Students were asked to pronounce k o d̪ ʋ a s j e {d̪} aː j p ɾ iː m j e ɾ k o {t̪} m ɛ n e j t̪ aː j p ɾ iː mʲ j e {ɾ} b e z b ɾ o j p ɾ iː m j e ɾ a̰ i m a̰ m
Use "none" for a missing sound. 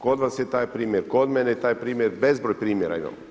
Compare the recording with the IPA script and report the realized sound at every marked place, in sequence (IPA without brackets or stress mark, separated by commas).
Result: t̪, d̪, ɾ